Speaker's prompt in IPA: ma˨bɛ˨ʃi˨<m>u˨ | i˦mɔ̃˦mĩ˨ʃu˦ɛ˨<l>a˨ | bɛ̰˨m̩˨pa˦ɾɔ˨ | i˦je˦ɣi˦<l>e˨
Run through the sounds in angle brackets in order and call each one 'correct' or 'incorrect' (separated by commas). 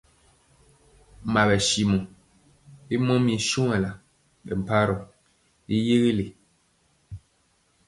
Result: correct, correct, correct